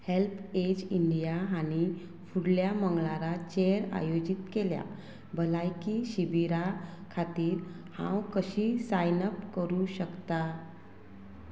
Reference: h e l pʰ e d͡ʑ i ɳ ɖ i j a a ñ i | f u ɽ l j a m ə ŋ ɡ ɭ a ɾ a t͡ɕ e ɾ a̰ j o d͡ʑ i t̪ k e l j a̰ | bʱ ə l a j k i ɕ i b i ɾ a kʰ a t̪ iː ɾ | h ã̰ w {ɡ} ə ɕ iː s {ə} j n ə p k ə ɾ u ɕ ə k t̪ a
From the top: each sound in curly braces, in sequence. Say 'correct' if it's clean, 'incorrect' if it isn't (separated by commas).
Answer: incorrect, incorrect